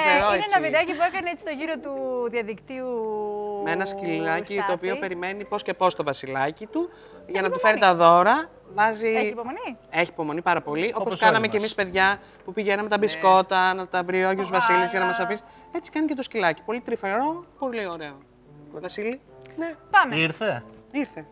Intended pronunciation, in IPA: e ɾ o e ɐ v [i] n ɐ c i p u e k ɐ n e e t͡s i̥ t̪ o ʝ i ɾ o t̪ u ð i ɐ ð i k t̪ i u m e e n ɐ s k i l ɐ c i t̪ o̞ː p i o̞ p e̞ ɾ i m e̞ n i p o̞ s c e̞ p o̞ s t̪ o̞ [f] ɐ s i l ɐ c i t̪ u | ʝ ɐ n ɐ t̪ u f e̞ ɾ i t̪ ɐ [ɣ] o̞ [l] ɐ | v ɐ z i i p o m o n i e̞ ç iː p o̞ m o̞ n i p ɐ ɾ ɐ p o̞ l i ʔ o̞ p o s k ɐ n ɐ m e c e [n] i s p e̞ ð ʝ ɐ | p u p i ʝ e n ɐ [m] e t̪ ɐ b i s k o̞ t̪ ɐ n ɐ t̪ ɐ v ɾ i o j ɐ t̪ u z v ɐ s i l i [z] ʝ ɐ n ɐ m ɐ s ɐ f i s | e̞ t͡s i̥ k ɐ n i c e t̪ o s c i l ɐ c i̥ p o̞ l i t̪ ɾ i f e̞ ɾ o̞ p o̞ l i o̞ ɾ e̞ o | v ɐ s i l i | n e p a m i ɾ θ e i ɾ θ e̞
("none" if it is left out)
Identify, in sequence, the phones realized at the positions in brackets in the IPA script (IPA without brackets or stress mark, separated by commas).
i, v, ð, ɾ, m, m, z